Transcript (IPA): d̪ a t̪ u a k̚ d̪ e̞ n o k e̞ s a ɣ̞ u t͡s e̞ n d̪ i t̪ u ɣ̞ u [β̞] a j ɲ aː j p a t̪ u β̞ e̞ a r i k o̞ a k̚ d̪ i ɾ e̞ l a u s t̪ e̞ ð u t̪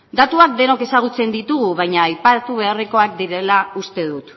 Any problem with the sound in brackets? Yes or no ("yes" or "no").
no